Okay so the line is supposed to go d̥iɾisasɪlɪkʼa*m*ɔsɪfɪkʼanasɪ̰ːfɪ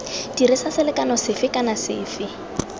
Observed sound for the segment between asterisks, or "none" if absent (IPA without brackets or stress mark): n